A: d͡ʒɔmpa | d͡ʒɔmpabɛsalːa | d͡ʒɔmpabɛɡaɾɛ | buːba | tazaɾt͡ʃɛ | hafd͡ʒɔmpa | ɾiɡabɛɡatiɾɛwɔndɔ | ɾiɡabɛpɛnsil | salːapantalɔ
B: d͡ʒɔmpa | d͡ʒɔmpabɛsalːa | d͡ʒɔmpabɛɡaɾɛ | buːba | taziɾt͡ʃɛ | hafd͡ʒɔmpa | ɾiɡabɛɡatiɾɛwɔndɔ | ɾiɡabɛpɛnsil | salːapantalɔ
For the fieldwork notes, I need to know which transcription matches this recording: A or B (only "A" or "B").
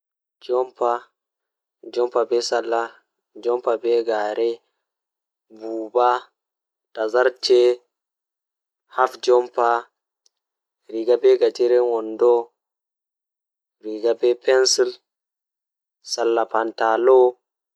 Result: A